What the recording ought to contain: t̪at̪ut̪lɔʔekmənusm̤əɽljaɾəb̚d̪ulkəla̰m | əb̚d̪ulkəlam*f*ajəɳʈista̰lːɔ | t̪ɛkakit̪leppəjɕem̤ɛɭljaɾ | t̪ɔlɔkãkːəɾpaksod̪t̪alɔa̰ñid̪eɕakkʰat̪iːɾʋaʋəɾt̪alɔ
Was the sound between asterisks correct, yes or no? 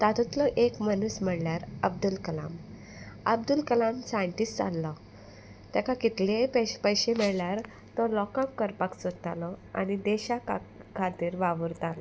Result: no